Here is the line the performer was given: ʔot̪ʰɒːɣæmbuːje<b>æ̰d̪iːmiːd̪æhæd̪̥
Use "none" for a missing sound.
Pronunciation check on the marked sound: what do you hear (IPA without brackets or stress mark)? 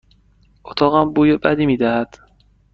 b